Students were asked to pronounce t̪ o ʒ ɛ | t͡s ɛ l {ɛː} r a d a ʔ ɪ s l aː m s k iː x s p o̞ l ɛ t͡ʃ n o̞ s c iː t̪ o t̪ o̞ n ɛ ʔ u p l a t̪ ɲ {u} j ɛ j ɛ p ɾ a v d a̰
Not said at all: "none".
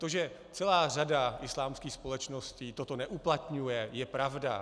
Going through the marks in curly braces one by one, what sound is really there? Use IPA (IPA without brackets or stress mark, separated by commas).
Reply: aː, u